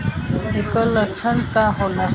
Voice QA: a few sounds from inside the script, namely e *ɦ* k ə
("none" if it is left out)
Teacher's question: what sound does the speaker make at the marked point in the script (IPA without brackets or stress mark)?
none